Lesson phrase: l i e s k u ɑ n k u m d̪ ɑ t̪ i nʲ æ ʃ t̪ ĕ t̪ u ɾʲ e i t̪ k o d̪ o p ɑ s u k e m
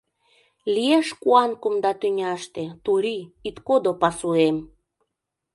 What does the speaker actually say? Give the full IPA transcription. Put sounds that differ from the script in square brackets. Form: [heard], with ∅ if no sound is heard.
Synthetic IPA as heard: l i e [ʃ] k u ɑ n k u m d̪ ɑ t̪ [y] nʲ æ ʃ t̪ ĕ t̪ u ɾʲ [i] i t̪ k o d̪ o p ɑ s u [∅] e m

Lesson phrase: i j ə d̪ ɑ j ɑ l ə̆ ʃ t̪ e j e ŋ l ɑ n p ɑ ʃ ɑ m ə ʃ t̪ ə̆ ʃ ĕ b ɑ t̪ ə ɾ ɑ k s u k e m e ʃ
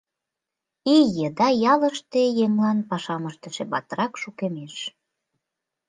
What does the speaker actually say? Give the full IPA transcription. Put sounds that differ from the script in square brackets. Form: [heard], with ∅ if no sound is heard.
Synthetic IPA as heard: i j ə d̪ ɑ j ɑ l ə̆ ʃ t̪ e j e ŋ l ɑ n p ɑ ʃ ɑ m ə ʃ t̪ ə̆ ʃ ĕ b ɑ t̪ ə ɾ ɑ k [ʃ] u k e m e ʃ

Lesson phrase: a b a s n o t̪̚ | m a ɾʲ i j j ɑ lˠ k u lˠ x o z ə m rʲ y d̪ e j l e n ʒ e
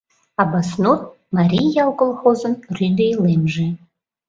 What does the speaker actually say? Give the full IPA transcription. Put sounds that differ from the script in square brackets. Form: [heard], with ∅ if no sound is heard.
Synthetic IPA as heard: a b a s n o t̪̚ | m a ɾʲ i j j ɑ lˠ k [o] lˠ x o z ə [n] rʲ y d̪ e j l e [m] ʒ e

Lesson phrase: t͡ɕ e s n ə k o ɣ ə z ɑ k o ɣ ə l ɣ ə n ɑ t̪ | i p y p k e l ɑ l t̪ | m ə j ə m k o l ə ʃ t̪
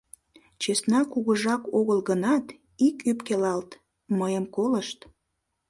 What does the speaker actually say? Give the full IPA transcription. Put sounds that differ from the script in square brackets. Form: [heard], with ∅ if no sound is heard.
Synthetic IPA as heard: t͡ɕ e s n [ɑ] k [u] ɣ ə [ʒ] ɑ k o ɣ ə l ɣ ə n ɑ t̪ | i [k] y p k e l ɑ l t̪ | m ə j ə m k o l ə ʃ t̪

